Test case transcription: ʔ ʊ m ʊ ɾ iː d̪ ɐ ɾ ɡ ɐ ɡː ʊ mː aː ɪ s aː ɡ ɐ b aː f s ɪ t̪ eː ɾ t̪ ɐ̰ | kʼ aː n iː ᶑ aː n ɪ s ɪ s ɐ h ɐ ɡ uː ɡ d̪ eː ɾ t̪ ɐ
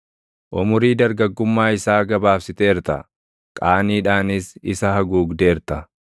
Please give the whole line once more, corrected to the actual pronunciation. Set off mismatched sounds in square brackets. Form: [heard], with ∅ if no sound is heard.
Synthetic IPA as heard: ʔ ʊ m ʊ ɾ iː d̪ ɐ ɾ ɡ ɐ ɡː ʊ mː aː ɪ s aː ɡ ɐ b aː f s ɪ t̪ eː ɾ t̪ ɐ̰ | kʼ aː n iː ᶑ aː n ɪ s ɪ s ɐ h ɐ ɡ uː ɡ d̪ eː ɾ t̪ ɐ